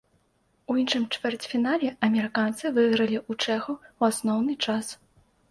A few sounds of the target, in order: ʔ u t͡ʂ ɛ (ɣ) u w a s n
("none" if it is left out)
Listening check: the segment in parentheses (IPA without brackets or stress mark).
x